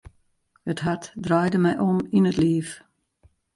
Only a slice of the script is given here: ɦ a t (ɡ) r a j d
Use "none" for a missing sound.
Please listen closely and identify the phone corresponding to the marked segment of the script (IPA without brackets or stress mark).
d